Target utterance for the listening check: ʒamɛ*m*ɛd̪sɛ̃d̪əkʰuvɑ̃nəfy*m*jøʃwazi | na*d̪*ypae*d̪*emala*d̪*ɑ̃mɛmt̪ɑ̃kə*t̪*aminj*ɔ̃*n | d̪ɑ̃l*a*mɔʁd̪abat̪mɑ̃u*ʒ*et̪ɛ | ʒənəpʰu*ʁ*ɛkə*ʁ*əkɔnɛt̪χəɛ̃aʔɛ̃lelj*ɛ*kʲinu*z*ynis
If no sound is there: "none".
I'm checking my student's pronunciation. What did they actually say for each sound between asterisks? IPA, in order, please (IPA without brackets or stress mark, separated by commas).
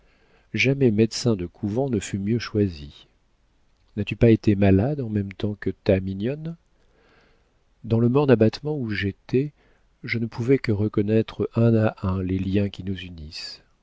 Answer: m, m, t̪, t̪, d̪, t̪, ɔ, ə, ʒ, v, ʁ, ɛ̃, z